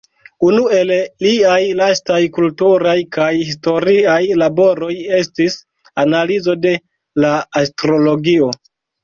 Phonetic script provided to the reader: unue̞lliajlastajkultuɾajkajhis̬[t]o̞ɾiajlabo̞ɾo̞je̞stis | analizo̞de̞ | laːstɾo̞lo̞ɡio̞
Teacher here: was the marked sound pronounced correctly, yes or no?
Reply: yes